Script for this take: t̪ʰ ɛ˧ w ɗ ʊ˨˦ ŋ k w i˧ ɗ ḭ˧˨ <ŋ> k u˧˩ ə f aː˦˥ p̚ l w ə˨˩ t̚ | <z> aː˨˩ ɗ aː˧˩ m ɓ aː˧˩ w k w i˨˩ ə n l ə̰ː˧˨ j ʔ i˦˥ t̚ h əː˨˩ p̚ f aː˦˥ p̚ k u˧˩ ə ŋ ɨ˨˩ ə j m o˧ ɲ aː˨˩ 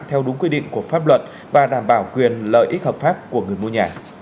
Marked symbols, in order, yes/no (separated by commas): yes, no